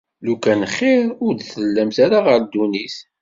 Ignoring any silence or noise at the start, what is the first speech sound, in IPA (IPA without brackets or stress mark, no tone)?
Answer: l